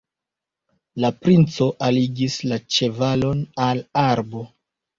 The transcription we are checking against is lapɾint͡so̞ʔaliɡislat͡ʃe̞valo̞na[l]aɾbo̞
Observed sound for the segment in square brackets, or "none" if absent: l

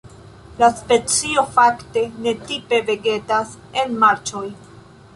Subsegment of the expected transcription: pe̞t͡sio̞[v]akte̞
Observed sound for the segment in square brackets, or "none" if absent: f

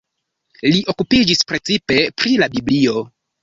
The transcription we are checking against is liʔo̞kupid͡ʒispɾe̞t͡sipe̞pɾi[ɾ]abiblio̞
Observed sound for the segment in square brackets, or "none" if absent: l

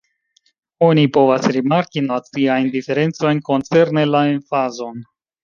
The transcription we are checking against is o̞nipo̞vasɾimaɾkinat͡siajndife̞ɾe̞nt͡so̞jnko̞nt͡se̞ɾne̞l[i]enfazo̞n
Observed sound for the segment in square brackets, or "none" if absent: a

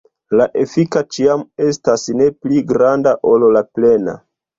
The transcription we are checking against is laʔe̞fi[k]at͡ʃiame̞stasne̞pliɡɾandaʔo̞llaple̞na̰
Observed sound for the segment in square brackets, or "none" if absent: k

